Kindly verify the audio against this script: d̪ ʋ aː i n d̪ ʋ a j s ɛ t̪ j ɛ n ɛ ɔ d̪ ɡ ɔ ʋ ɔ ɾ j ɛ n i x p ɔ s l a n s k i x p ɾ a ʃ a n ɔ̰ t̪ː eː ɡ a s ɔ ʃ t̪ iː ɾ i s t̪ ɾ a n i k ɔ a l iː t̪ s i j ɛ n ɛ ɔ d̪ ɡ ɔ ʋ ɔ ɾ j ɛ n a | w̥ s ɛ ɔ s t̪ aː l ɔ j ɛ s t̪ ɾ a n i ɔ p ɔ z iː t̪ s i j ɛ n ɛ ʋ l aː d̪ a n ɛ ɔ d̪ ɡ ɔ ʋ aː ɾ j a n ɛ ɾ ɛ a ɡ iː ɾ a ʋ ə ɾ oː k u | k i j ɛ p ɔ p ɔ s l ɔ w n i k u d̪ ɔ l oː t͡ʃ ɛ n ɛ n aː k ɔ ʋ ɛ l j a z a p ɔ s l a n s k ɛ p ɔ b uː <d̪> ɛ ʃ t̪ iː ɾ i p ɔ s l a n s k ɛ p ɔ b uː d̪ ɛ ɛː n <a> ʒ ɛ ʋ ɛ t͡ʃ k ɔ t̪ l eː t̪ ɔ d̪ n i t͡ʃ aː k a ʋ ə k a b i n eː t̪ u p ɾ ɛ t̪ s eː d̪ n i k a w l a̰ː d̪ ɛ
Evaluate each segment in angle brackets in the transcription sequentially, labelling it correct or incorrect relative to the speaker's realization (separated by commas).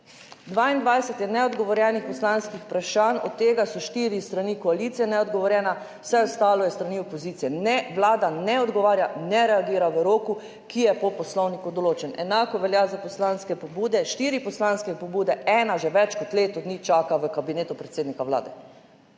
correct, correct